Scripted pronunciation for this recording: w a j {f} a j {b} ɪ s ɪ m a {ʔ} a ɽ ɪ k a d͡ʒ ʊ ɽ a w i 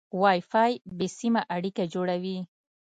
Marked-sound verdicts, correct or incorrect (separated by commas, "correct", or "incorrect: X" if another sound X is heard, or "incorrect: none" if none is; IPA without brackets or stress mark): correct, correct, correct